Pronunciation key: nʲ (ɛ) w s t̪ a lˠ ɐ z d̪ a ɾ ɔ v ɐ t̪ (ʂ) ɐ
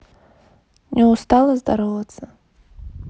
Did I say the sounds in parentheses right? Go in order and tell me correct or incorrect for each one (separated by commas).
correct, incorrect